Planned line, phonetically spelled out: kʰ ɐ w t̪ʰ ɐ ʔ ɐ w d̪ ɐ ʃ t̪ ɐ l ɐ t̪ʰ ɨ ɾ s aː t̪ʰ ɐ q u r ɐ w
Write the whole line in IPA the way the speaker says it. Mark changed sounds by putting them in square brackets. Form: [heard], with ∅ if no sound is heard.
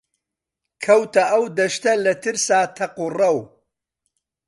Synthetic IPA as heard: kʰ ɐ w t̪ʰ ɐ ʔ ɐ w d̪ ɐ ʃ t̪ ɐ l ɐ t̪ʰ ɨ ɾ s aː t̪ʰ ɐ q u r ɐ w